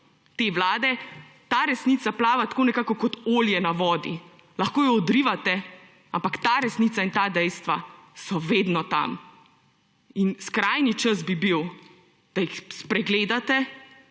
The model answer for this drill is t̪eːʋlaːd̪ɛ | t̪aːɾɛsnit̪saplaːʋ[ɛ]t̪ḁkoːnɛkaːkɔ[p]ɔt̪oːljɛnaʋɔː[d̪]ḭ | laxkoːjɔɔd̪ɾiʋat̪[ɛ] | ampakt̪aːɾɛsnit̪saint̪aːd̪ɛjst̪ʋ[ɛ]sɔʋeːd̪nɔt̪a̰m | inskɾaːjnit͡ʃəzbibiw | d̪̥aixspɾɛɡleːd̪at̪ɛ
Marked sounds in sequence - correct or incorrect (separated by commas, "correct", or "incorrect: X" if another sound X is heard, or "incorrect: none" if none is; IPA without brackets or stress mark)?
incorrect: a, incorrect: k, correct, correct, incorrect: a